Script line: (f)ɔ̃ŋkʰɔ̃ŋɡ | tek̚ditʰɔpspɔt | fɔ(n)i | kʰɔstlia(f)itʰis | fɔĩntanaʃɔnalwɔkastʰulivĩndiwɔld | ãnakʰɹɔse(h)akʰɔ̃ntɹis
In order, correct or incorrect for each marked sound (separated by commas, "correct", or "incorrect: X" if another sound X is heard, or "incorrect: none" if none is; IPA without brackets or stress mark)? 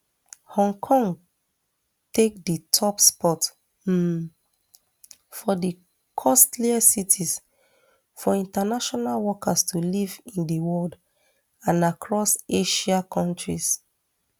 incorrect: h, incorrect: d, incorrect: s, incorrect: ʃ